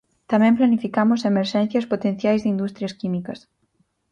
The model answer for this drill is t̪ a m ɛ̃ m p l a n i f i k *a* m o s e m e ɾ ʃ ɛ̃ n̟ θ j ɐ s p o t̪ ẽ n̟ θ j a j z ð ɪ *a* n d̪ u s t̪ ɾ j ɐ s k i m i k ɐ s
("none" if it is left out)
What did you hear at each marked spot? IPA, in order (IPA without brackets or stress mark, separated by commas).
a, i